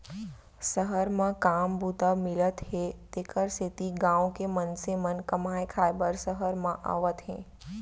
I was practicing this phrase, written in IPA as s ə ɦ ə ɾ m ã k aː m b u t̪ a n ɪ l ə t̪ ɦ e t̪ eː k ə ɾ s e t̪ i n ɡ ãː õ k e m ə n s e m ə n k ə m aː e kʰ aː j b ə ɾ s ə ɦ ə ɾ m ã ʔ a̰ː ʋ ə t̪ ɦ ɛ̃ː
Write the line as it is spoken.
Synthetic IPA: s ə ɦ ə ɾ m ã k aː m b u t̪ a m ɪ l ə t̪ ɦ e t̪ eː k ə ɾ s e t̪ i ɡ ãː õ k e m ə n s e m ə n k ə m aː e kʰ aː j b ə ɾ s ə ɦ ə ɾ m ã ʔ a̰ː ʋ ə t̪ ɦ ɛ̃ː